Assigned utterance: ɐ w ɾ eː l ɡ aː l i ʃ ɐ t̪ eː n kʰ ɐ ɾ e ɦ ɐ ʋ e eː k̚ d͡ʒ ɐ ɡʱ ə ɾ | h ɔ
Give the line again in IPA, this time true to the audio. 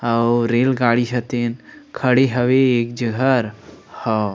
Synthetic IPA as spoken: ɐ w ɾ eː l ɡ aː ɽ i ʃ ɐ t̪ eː n kʰ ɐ ɽ e ɦ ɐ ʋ e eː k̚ d͡ʒ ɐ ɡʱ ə ɾ | h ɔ